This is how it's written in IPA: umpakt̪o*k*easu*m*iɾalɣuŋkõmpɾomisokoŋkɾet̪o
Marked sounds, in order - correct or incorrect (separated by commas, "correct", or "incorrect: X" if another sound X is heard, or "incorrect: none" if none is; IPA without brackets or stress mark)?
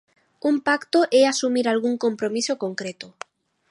incorrect: ʔ, correct